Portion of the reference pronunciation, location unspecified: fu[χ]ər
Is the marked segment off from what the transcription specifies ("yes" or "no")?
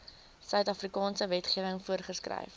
yes